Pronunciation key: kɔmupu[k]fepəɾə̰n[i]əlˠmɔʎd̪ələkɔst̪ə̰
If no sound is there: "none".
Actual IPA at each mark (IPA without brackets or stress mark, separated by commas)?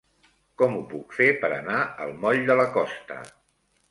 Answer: k, a